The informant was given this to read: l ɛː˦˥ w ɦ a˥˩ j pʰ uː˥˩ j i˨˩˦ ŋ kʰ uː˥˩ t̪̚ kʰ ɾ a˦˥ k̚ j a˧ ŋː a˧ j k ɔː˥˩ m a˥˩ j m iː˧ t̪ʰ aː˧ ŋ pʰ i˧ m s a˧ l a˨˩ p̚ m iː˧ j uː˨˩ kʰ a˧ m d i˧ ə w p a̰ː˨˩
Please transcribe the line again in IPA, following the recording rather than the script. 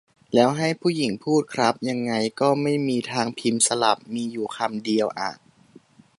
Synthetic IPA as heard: l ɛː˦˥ w ɦ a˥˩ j pʰ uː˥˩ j i˨˩˦ ŋ pʰ uː˥˩ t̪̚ kʰ ɾ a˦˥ p̚ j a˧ ŋː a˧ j k ɔː˥˩ m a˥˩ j m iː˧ t̪ʰ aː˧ ŋ pʰ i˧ m s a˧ l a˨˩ p̚ m iː˧ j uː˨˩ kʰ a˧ m d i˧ ə w ʔ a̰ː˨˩